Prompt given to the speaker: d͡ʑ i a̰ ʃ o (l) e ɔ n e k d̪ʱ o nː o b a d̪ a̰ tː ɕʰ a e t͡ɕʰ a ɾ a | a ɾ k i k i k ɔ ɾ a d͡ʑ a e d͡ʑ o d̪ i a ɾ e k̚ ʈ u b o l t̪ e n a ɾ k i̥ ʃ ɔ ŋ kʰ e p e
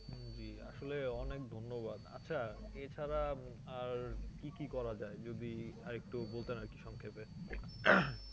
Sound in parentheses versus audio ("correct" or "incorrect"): correct